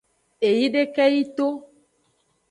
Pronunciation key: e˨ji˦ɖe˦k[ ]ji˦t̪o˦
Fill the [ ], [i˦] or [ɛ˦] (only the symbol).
ɛ˦